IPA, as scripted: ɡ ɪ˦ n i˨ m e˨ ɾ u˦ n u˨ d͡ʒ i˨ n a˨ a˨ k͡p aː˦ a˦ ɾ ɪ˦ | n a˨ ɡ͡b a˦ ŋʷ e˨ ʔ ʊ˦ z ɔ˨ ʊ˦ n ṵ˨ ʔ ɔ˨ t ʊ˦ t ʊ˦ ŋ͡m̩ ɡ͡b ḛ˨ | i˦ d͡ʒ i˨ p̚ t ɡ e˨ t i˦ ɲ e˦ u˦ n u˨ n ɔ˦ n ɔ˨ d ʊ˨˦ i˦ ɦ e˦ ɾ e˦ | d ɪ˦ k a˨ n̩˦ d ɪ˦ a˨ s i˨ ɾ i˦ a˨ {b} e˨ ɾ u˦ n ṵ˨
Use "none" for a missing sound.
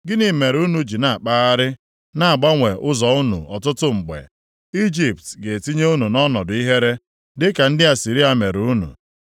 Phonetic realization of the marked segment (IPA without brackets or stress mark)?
m